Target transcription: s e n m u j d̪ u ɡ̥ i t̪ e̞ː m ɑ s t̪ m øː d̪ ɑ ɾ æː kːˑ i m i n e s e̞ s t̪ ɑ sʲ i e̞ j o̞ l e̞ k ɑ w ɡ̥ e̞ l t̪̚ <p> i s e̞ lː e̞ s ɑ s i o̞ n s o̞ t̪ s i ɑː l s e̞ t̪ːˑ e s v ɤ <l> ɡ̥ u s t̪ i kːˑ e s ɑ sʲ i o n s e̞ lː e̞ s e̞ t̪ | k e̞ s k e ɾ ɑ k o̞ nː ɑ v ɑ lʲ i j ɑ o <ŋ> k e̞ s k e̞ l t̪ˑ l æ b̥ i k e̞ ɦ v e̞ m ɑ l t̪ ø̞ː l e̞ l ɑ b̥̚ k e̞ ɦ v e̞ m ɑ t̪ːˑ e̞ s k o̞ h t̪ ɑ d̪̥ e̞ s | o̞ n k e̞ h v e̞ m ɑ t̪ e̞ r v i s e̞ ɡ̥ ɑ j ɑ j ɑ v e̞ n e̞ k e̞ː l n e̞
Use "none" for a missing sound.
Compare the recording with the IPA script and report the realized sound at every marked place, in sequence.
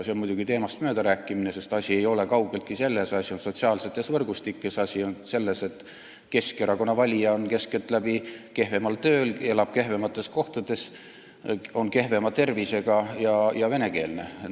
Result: k, r, n

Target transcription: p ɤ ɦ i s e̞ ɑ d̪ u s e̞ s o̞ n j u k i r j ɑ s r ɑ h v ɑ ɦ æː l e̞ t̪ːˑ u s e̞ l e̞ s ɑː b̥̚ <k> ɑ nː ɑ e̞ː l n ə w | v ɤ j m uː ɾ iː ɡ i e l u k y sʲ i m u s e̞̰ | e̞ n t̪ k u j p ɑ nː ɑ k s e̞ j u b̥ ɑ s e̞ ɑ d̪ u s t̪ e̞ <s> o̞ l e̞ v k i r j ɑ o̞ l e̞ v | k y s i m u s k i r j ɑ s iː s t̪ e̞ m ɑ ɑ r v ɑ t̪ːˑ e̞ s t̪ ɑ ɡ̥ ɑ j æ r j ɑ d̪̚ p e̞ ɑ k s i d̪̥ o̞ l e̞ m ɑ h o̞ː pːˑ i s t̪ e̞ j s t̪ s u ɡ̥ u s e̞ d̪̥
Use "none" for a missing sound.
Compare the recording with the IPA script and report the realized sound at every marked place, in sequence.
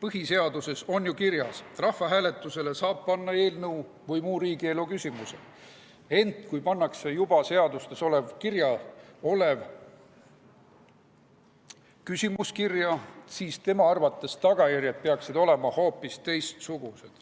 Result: p, s

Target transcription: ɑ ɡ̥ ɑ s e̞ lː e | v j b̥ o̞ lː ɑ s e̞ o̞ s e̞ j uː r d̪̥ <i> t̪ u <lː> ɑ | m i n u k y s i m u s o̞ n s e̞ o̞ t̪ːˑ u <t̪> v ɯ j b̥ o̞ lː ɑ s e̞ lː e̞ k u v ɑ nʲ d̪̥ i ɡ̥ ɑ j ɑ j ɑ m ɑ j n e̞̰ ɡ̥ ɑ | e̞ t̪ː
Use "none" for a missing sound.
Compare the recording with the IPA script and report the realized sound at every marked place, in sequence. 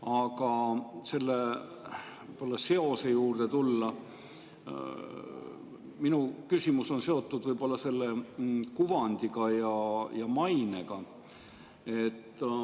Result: e, lː, d̪

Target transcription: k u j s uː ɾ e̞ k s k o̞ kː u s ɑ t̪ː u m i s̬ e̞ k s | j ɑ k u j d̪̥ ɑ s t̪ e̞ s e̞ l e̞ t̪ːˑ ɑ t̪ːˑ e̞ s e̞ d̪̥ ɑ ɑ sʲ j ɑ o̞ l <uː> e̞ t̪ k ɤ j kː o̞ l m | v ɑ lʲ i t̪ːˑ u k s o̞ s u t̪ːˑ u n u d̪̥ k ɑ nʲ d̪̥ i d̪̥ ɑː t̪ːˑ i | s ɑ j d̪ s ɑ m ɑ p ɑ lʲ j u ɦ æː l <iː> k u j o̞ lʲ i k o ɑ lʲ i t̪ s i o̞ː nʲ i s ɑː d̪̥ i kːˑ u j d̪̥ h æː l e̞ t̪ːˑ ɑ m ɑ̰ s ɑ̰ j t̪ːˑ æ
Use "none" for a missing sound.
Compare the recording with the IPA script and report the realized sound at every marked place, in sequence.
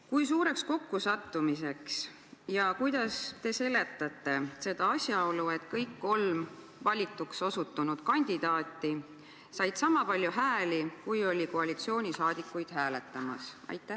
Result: u, i

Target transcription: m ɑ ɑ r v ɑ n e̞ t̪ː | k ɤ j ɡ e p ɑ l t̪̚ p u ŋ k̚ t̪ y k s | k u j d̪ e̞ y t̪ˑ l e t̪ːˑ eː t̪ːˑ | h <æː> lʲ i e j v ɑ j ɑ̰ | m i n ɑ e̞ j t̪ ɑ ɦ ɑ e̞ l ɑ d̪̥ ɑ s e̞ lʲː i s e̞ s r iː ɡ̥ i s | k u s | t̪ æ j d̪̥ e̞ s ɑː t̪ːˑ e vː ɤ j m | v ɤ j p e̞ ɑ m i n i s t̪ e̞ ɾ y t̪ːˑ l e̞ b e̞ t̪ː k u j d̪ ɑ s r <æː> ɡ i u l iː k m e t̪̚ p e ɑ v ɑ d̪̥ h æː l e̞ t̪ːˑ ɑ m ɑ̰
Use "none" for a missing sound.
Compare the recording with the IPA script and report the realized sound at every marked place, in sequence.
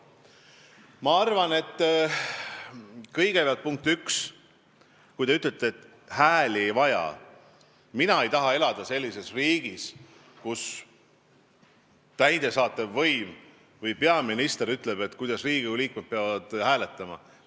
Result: æː, iː

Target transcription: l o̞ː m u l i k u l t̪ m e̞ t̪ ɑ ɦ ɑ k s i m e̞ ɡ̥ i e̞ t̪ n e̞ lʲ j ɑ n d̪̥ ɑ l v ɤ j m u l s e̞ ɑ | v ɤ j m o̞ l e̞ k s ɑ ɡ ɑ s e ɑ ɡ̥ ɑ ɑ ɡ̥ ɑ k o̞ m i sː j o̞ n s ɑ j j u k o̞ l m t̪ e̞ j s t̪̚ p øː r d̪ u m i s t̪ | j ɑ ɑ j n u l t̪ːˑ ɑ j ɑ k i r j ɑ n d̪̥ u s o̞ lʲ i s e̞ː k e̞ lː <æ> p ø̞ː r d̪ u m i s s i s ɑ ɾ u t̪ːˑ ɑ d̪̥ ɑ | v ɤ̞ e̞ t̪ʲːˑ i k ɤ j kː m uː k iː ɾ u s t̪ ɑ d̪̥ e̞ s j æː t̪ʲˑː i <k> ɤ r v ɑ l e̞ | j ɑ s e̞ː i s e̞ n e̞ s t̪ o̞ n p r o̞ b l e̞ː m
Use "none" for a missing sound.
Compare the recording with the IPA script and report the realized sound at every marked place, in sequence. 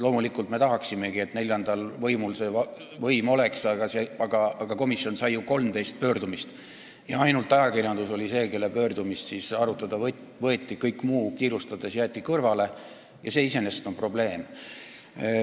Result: e, k

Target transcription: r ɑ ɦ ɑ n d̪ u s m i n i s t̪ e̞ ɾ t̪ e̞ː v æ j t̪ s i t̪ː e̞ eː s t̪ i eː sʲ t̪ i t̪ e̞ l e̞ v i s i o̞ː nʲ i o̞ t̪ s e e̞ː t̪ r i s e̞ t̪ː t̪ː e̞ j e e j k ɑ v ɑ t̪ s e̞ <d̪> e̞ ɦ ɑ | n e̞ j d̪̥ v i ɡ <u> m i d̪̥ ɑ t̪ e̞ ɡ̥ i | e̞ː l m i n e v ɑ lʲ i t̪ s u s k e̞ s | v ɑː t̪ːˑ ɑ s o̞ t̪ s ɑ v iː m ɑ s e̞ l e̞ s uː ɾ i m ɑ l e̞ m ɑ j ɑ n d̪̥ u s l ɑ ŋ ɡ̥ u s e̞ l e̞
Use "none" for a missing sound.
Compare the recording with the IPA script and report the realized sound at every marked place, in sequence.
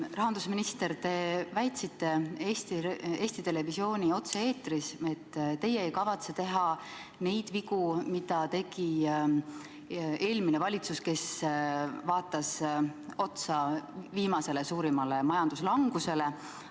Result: t̪, u

